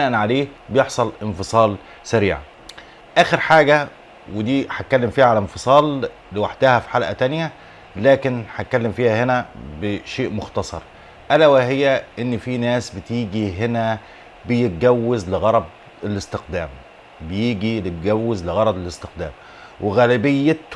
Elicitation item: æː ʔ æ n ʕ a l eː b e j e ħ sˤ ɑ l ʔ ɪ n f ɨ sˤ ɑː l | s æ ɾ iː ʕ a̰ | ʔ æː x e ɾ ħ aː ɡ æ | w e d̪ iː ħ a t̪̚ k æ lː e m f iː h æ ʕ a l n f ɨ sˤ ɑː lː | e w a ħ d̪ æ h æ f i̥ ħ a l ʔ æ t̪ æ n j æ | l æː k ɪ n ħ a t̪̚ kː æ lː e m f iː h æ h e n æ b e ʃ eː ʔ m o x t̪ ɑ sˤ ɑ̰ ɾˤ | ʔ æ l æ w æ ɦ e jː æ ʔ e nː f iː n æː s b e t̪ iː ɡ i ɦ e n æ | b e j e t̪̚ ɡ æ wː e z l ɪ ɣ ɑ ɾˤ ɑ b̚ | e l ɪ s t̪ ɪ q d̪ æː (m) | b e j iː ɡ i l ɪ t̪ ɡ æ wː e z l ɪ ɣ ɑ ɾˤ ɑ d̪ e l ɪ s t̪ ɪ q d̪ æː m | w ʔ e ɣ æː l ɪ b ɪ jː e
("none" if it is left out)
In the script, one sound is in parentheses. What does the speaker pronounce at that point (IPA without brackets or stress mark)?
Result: m